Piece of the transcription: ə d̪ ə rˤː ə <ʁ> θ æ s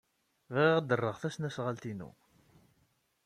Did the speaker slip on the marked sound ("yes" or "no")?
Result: no